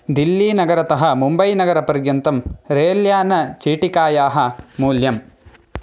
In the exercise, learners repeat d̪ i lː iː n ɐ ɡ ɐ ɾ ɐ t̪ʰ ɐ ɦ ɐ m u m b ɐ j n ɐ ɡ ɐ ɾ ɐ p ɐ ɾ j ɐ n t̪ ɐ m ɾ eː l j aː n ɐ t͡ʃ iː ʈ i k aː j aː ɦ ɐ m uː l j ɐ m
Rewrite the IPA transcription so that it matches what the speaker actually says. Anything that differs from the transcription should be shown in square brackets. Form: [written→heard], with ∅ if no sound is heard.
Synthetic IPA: d̪ i lː iː n ɐ ɡ ɐ ɾ ɐ [t̪ʰ→t̪] ɐ ɦ ɐ m u m b ɐ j n ɐ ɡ ɐ ɾ ɐ p ɐ ɾ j ɐ n t̪ ɐ m ɾ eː l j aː n ɐ t͡ʃ iː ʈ i k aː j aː ɦ ɐ m uː l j ɐ m